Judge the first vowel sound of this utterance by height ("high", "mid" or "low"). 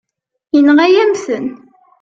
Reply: mid